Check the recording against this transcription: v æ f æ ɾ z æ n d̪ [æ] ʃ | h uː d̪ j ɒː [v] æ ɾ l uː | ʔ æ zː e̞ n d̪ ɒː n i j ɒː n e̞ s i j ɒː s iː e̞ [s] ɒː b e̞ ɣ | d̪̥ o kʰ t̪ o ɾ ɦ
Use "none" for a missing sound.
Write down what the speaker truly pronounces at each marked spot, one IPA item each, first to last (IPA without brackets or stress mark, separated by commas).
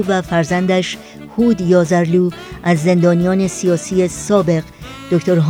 æ, z, s